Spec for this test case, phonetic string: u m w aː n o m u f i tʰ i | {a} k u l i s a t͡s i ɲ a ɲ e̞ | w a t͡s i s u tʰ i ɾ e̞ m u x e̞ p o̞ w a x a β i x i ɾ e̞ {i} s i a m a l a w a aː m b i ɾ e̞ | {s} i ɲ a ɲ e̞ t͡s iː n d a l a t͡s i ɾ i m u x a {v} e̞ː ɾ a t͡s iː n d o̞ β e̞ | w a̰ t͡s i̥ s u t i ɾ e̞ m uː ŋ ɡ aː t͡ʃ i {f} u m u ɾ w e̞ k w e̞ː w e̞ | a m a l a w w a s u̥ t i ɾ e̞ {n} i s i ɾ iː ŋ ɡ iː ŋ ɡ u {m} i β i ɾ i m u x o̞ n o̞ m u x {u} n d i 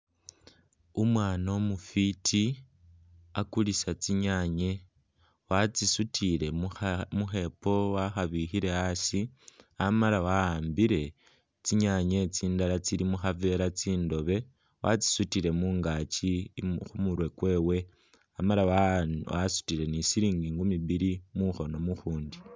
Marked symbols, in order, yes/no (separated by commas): yes, no, no, yes, no, yes, yes, no